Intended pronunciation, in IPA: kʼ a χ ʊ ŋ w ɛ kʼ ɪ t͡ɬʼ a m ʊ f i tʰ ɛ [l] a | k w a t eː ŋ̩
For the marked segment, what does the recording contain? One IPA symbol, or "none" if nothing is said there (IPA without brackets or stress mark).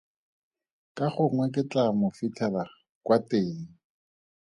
l